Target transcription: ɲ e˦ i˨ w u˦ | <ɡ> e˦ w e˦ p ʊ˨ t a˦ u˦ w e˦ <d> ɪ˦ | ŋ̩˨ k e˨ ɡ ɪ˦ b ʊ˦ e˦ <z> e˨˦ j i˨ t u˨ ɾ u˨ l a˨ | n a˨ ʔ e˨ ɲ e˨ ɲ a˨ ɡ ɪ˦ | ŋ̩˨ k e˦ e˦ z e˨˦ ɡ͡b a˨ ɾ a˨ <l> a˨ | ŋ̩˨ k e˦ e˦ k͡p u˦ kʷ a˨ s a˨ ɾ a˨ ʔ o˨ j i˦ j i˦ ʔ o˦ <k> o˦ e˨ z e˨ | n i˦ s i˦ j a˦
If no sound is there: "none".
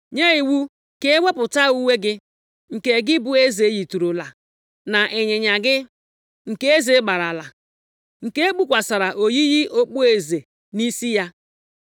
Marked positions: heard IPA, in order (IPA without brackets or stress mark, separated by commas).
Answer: k, ɡ, z, l, k͡p